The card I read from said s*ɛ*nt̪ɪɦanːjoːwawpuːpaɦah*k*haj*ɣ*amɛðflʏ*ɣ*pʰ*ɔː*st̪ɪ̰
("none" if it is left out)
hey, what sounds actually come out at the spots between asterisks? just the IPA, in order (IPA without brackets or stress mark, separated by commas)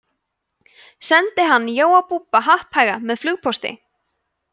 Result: ɛ, p, ɣ, ɣ, ɔ